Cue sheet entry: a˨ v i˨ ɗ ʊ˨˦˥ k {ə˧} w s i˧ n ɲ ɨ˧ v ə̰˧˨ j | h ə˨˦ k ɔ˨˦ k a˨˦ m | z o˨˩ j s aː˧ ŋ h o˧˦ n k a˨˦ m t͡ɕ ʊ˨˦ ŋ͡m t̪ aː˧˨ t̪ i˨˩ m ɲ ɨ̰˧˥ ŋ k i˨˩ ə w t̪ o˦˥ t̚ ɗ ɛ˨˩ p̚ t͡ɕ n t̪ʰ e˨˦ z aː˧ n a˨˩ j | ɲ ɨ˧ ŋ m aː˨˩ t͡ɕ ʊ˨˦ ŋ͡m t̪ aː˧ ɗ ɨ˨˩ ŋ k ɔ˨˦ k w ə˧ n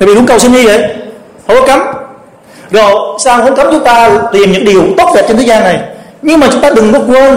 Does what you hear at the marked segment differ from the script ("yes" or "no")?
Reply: yes